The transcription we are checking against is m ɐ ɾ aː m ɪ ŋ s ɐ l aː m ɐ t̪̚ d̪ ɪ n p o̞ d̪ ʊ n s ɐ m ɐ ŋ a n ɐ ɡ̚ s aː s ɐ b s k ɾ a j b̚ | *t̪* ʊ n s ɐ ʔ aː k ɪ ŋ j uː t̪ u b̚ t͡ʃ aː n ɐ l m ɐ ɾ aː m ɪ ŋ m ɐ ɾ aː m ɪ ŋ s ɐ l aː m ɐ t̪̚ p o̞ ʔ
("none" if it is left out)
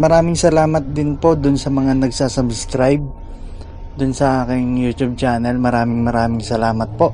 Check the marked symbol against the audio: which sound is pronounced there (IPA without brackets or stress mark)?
d̪